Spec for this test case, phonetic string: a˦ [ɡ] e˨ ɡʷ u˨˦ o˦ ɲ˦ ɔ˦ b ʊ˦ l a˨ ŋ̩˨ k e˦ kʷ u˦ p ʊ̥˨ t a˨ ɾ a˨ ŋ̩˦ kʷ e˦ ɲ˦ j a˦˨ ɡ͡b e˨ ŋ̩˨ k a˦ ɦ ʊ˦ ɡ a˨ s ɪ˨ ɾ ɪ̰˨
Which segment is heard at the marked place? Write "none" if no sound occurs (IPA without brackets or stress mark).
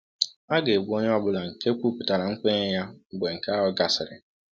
ɡ